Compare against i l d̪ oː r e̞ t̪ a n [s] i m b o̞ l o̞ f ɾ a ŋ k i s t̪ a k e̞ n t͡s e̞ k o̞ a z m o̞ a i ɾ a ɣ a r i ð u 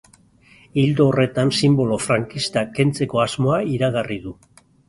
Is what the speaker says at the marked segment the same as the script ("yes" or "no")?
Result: yes